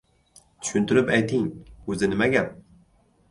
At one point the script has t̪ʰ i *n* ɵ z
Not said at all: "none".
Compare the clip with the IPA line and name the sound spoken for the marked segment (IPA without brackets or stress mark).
ŋ